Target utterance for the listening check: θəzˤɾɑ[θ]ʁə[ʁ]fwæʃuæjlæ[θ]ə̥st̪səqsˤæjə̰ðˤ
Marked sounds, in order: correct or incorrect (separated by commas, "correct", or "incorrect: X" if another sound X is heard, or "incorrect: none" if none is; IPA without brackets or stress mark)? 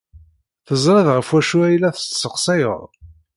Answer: incorrect: ð, incorrect: none, correct